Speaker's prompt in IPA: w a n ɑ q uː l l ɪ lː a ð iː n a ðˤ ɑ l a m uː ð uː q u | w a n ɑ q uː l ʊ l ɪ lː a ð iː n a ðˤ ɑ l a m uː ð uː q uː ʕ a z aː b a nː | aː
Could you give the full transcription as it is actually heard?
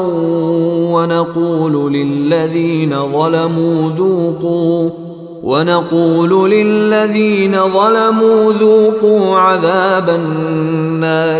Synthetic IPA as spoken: w a n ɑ q uː l l ɪ lː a ð iː n a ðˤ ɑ l a m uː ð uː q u | w a n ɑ q uː l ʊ l ɪ lː a ð iː n a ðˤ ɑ l a m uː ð uː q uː ʕ a ð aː b a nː | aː